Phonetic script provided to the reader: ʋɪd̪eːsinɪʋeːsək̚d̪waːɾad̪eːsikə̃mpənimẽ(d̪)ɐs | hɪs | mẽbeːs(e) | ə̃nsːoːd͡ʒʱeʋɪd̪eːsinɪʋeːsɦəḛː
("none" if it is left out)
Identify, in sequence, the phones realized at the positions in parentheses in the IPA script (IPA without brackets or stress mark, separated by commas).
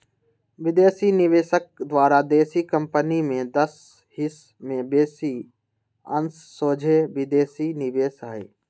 d̪, i